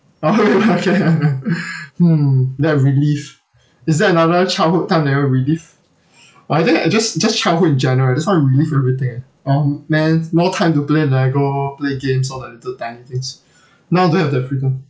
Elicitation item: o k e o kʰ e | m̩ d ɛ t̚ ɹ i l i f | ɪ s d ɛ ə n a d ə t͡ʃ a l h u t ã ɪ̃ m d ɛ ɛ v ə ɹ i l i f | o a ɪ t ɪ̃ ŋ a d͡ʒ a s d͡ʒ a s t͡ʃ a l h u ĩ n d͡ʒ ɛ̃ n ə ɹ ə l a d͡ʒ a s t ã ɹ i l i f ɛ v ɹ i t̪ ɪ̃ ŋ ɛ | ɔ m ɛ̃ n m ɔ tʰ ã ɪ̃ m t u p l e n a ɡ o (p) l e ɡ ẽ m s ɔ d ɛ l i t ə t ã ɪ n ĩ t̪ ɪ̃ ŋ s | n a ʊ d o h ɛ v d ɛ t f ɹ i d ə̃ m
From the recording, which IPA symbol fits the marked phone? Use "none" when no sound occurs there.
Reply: p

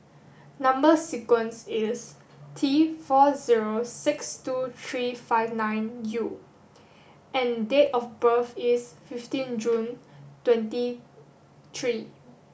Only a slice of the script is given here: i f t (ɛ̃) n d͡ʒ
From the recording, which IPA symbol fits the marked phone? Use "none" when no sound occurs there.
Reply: ĩ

